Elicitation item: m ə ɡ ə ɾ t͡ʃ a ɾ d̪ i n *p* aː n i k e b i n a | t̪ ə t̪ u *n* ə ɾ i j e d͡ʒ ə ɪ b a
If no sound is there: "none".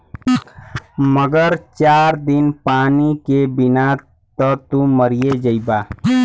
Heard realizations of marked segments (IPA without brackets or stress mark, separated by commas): p, m